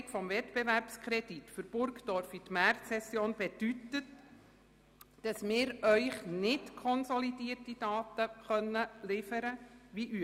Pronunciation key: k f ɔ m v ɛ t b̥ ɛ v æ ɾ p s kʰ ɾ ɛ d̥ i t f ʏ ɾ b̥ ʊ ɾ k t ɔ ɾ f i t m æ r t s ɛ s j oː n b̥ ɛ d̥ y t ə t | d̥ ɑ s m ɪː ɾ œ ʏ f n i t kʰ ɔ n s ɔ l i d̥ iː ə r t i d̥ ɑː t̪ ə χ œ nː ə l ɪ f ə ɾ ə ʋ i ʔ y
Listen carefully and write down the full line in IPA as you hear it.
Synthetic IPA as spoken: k f ɔ m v ɛ t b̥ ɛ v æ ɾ p s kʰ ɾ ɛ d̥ i t f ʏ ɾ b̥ ʊ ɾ k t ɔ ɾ f i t m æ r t s ɛ s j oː n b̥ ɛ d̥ y t ə t | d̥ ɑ s m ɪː ɾ œ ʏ χ n ɪ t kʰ ɔ n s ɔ l i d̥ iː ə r t i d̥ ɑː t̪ ə χ œ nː ə l ɪ f ə ɾ ə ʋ i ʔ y